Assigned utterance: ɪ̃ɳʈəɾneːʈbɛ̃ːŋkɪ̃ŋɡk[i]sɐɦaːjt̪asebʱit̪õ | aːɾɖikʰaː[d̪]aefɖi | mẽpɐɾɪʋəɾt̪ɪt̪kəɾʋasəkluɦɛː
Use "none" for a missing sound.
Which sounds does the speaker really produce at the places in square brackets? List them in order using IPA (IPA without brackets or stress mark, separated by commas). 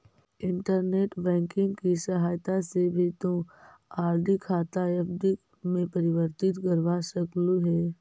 i, t̪